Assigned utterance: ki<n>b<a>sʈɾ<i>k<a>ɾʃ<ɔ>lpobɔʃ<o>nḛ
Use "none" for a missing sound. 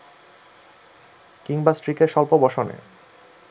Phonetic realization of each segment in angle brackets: ŋ, a, i, e, ɔ, o

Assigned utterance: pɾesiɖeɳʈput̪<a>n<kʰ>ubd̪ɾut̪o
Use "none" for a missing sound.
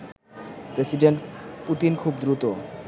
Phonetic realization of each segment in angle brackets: i, kʰ

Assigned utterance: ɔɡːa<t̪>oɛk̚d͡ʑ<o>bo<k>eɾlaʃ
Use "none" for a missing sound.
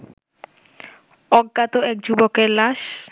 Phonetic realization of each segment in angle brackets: t̪, u, k

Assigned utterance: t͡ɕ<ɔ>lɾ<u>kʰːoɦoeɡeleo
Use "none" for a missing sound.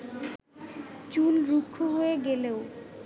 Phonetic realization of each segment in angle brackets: u, u

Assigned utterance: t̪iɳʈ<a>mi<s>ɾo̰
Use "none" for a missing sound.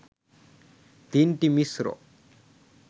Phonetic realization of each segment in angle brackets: i, s

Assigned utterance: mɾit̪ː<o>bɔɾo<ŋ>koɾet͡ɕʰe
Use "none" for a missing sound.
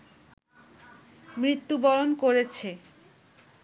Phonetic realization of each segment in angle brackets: u, n

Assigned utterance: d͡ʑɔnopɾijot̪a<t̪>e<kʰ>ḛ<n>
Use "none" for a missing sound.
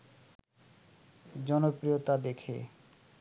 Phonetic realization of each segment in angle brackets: d̪, kʰ, none

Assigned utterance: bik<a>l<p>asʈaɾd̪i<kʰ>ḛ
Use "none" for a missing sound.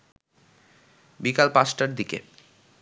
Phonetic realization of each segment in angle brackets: a, p, k

